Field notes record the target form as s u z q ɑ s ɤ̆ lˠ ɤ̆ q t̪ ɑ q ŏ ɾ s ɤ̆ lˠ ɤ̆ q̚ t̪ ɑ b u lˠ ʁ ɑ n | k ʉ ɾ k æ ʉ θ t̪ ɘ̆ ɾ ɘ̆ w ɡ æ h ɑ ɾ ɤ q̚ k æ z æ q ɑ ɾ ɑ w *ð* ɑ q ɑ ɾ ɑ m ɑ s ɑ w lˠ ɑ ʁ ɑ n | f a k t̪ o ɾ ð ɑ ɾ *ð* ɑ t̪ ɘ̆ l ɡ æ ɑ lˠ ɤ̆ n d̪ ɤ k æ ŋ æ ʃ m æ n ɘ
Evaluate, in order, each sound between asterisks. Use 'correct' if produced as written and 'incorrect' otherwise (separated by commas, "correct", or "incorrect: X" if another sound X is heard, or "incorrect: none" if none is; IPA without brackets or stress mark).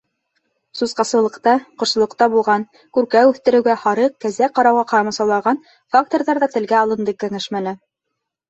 incorrect: ʁ, correct